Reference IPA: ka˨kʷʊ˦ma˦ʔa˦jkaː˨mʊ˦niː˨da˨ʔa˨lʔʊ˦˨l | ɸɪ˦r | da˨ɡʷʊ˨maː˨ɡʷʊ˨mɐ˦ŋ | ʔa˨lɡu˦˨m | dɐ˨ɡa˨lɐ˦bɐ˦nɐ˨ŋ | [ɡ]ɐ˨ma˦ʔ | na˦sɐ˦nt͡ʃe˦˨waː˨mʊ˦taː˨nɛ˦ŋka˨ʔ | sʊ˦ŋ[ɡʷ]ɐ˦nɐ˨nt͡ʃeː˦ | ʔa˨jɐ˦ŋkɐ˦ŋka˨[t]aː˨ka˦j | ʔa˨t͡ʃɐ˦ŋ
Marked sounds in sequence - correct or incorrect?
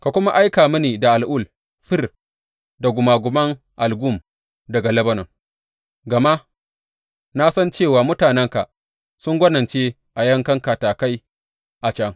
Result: correct, correct, correct

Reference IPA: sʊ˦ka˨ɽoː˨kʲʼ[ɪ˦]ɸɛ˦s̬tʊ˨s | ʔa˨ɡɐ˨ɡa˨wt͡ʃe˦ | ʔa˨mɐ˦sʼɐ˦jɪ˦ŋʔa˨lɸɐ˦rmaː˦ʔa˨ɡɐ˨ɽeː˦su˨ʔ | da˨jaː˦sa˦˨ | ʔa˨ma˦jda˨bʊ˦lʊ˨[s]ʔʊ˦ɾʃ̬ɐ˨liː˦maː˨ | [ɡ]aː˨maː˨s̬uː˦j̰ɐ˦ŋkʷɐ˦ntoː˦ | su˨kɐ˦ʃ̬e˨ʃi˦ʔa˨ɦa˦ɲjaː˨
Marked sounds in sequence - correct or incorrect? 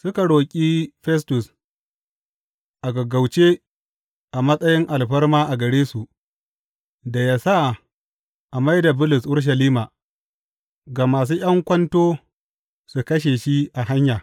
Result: incorrect, correct, correct

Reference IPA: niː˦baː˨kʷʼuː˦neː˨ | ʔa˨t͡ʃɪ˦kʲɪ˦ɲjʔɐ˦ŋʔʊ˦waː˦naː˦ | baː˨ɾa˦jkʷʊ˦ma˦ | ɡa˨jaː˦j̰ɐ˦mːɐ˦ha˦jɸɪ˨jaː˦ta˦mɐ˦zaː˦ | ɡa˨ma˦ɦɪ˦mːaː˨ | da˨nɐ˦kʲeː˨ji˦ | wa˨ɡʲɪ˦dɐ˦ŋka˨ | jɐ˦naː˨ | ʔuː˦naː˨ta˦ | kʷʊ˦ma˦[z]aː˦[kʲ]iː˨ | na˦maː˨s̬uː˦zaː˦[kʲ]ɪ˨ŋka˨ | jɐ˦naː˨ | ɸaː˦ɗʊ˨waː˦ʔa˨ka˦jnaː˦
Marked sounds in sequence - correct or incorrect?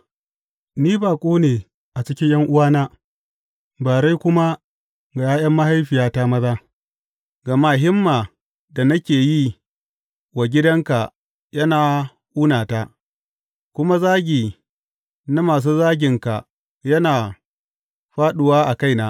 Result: correct, incorrect, incorrect

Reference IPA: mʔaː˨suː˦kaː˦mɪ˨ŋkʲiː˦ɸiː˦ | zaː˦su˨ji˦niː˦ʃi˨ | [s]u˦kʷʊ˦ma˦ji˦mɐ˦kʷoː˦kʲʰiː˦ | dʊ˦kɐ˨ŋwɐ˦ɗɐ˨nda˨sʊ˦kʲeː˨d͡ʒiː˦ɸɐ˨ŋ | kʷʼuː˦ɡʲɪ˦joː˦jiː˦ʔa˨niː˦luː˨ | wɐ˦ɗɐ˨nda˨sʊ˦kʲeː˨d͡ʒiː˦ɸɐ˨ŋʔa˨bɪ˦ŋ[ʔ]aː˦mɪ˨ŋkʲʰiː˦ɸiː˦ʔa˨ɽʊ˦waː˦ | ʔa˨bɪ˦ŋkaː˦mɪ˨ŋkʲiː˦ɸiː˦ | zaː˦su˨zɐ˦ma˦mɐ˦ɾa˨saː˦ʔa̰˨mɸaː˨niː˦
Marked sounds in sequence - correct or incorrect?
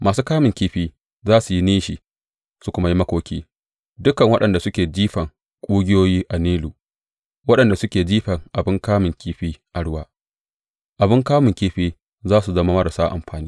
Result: correct, incorrect

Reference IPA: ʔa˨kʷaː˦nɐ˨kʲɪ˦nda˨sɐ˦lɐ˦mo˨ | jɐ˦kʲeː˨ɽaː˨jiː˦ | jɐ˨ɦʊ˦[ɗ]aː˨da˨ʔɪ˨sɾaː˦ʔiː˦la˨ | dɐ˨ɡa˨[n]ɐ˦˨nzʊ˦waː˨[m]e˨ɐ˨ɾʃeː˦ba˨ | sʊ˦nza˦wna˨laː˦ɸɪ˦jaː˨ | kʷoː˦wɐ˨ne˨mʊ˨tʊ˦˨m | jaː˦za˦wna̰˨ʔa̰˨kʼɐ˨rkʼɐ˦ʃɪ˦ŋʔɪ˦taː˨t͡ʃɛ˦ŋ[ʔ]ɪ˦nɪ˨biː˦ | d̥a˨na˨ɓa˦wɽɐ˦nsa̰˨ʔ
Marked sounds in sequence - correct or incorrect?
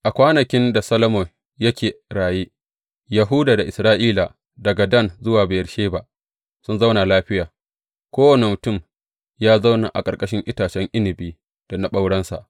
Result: incorrect, incorrect, incorrect, correct

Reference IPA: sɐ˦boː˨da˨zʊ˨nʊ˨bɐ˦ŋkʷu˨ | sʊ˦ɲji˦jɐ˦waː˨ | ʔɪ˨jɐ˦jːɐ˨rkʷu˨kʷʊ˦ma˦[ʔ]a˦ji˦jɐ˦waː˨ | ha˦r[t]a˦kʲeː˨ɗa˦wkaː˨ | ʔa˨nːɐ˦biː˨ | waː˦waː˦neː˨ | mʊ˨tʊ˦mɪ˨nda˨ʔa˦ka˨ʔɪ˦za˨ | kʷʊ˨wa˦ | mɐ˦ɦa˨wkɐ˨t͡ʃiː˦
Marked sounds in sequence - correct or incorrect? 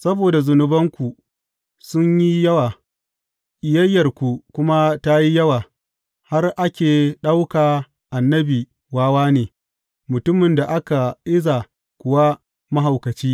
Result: incorrect, incorrect

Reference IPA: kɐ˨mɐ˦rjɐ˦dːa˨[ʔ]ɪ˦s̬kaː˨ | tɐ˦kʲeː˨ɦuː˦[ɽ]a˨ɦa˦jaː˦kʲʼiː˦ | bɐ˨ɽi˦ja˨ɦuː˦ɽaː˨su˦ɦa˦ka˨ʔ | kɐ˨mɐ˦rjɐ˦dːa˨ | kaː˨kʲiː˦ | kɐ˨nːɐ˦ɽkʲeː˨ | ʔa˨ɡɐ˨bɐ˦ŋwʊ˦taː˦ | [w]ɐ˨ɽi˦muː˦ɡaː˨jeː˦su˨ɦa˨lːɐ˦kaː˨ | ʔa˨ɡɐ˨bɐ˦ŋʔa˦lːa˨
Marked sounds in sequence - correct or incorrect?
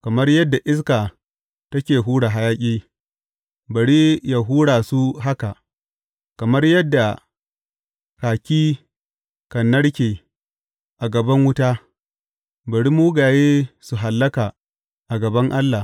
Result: correct, correct, incorrect

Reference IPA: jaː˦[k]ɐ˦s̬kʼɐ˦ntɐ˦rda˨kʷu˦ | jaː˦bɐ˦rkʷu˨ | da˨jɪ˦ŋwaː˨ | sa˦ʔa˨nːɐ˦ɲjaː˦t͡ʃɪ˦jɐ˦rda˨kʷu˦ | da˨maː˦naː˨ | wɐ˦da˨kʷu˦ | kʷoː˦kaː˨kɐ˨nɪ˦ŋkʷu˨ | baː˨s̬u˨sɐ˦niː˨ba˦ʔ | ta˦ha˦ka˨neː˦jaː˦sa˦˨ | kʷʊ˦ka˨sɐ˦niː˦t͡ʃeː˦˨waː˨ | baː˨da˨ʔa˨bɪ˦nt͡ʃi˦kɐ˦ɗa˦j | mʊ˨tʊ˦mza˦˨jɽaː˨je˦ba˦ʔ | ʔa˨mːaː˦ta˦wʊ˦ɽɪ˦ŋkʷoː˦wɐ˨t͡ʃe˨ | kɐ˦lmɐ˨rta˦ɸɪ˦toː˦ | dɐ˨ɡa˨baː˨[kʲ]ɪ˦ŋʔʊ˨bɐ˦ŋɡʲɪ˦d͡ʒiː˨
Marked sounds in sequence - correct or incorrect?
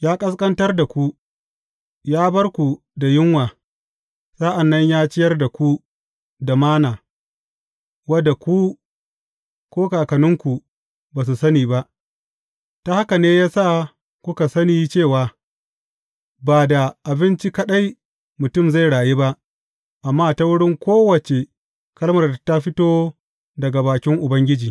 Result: incorrect, correct

